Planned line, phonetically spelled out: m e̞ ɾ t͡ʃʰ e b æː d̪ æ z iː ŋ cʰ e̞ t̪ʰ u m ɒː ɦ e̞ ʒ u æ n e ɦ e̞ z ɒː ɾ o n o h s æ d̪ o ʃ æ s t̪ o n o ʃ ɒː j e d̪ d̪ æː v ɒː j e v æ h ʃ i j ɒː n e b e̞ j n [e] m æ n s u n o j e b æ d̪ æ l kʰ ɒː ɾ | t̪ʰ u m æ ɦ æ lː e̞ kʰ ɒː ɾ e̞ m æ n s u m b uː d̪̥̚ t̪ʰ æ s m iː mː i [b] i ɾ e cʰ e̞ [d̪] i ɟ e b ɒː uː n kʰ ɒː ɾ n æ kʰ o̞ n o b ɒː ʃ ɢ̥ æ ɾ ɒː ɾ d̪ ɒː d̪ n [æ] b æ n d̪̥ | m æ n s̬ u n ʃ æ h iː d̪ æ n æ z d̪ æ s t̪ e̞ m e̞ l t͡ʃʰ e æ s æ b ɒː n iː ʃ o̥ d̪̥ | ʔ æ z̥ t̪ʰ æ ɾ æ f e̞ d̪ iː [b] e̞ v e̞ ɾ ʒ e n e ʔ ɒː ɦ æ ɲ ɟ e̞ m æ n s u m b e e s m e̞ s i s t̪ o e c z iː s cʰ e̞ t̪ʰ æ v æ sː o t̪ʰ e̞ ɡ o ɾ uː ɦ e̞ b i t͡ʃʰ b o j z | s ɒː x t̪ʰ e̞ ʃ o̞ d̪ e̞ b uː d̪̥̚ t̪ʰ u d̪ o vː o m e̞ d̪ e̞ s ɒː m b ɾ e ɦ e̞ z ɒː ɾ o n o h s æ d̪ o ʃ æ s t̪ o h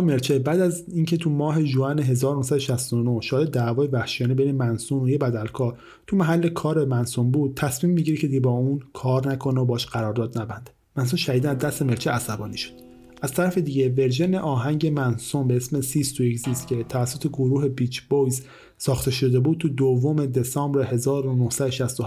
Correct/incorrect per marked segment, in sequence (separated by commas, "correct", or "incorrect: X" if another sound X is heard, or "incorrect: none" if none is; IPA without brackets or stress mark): correct, incorrect: ɟ, correct, correct, incorrect: ɟ